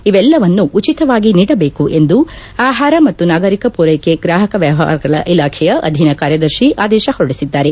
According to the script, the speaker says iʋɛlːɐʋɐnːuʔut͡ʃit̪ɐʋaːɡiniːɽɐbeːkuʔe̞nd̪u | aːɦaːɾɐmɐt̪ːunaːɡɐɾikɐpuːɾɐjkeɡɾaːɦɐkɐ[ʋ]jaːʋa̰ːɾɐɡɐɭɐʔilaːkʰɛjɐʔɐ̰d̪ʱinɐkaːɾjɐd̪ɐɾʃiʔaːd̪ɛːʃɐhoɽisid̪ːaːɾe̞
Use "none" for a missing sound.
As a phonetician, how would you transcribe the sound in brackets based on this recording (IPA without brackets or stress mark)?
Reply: ʋ